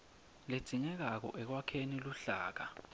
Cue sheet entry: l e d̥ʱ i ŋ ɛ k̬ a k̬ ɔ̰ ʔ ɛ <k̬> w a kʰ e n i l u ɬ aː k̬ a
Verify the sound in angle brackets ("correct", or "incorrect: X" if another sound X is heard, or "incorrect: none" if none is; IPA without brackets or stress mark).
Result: correct